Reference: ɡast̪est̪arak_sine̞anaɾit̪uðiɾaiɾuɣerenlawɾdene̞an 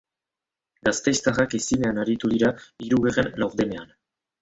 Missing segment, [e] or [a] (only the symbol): e